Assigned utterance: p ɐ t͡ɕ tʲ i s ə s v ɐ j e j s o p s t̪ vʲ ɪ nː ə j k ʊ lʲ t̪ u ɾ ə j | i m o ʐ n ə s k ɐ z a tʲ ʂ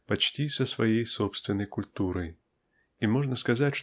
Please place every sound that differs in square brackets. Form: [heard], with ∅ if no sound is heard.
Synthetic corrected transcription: p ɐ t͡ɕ tʲ i s ə s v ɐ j e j s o p s t̪ vʲ ɪ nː ə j k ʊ lʲ t̪ u ɾ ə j | i m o ʐ n ə s k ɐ z a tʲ ʂ